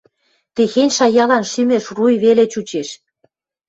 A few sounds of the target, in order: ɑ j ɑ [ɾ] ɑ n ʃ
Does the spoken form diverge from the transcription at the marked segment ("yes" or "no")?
yes